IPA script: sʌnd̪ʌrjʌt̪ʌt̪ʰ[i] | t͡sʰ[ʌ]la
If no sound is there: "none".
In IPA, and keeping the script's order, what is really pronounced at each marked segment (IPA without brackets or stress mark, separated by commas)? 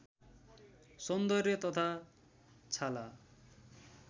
a, a